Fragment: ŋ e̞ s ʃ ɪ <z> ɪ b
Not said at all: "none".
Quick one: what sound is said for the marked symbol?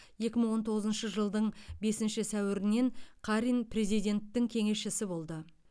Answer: s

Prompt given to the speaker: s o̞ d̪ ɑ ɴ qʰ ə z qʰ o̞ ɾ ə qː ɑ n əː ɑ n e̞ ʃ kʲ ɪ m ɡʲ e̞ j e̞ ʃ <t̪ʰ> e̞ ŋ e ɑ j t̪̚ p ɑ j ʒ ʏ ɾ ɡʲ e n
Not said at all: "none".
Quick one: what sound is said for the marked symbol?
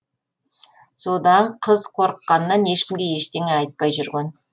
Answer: t̪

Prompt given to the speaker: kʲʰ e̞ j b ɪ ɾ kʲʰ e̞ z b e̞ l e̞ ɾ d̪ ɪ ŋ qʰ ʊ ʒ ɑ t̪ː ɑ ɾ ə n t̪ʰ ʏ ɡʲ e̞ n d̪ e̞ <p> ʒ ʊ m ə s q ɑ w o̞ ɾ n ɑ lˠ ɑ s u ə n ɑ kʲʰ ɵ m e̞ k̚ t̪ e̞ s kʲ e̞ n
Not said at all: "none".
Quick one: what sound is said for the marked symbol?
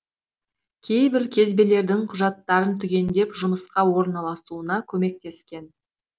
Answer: p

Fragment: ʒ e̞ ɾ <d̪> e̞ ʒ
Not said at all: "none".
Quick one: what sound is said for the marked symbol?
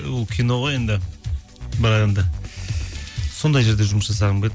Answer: d̪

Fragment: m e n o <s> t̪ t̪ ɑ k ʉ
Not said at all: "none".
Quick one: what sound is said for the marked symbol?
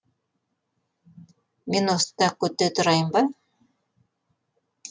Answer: s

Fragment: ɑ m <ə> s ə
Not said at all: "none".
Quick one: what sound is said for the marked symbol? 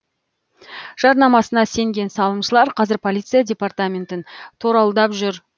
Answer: ɑ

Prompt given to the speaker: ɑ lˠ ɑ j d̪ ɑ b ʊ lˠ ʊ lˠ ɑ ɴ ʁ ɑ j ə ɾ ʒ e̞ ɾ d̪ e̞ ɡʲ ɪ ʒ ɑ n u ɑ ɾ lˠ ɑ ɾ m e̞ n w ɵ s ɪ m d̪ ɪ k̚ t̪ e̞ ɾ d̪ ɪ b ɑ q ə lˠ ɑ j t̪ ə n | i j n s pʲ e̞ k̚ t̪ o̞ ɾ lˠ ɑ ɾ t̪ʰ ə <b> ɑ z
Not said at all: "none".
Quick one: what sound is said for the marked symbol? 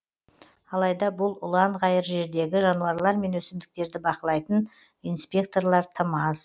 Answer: m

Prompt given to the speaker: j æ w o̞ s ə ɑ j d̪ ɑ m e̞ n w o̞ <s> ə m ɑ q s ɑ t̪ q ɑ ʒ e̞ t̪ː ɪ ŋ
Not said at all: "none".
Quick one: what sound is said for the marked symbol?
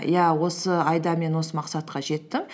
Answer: s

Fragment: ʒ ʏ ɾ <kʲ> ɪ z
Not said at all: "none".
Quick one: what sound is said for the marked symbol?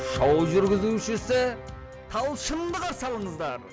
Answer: ɡʲ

